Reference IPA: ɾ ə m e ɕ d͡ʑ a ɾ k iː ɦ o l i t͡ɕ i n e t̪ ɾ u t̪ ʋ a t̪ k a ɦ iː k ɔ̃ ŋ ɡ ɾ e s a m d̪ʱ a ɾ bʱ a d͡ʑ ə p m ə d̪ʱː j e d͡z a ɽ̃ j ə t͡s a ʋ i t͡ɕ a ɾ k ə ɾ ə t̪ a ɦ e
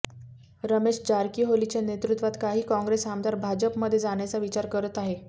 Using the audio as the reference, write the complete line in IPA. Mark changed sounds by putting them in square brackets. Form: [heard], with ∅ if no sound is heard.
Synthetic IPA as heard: ɾ ə m e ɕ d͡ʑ a ɾ k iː ɦ o l i t͡ɕ [a] n e t̪ ɾ u t̪ ʋ a t̪ k a ɦ iː k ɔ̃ ŋ ɡ ɾ e s a m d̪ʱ a ɾ bʱ a d͡ʑ ə p m ə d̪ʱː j e d͡z a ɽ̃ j [a] t͡s a ʋ i t͡ɕ a ɾ k ə ɾ ə t̪ a ɦ e